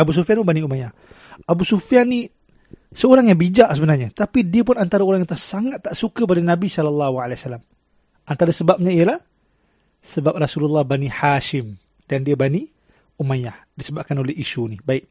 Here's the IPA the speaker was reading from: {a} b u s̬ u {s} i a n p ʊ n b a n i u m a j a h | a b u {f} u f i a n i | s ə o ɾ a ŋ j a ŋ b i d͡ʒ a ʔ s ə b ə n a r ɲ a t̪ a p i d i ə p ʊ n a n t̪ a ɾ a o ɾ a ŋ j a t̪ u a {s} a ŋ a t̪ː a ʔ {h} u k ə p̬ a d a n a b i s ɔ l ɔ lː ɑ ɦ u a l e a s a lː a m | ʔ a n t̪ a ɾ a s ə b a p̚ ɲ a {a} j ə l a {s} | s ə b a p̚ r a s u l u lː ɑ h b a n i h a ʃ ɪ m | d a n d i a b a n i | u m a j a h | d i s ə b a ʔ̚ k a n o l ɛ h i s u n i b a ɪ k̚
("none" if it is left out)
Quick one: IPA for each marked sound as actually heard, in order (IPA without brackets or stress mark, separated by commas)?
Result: a, f, s, s, s, i, h